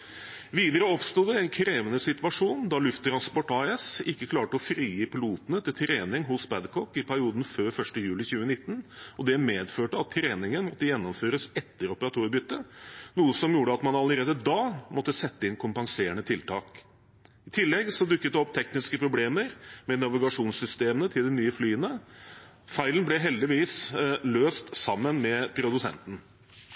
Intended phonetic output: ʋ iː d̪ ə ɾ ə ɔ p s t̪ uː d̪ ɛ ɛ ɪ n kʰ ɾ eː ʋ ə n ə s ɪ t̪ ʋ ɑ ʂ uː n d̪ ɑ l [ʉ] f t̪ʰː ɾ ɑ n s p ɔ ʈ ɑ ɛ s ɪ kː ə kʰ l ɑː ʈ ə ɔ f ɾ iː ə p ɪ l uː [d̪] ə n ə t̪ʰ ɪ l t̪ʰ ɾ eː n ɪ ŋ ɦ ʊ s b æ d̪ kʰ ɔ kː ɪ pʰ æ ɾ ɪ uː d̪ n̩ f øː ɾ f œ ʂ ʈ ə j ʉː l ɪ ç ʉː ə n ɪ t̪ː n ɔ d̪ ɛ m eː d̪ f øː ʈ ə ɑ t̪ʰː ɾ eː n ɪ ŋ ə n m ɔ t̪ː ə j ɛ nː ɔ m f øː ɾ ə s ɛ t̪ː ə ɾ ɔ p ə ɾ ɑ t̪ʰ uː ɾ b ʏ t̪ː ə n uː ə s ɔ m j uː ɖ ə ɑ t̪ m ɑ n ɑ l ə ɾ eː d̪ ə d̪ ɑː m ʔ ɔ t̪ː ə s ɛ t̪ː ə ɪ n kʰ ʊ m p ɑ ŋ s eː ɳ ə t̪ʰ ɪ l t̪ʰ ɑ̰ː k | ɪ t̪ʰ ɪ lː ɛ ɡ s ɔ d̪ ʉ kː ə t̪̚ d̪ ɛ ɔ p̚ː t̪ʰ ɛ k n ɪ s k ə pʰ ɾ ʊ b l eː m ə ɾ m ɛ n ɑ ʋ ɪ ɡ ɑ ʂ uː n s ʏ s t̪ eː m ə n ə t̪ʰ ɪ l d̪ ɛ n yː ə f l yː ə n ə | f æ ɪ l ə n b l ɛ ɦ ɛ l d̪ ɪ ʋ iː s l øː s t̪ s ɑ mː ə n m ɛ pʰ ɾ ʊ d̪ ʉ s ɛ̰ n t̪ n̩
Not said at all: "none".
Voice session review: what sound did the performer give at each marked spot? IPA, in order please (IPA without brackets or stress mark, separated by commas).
ʉ, t̪